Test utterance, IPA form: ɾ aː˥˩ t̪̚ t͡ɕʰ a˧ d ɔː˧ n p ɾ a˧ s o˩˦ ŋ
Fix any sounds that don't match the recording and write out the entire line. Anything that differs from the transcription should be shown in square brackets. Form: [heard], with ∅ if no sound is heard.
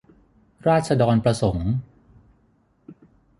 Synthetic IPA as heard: ɾ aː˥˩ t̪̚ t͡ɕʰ a˧ d ɔː˧ n p ɾ a˧ s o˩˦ ŋ